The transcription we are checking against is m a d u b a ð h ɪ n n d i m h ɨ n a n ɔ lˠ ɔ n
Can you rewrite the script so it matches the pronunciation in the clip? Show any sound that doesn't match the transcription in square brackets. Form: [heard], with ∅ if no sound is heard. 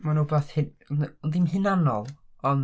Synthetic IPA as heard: m a [n] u b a [θ] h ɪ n n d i m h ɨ n a n ɔ lˠ ɔ n